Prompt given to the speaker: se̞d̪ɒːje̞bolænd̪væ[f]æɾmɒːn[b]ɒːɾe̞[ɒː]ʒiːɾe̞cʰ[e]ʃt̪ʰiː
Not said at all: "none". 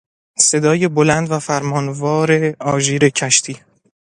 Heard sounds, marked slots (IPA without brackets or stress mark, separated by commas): f, v, ɒː, æ